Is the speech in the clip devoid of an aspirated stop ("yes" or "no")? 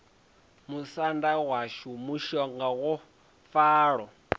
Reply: yes